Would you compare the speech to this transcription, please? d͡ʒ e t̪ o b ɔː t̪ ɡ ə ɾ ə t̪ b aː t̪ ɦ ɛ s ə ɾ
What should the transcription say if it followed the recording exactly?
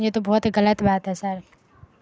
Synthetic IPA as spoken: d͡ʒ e t̪ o b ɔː t̪ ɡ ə l ə t̪ b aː t̪ ɦ ɛ s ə ɾ